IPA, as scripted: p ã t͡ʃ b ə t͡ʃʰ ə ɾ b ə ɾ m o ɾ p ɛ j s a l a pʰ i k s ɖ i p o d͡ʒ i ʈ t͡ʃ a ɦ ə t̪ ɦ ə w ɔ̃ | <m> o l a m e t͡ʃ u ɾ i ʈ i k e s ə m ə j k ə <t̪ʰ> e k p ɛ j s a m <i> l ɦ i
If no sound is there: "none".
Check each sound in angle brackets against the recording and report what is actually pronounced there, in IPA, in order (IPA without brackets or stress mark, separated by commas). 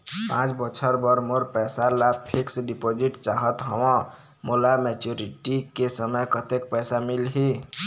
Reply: m, t̪, i